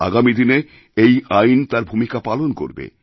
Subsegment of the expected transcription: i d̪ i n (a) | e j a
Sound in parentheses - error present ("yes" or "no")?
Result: yes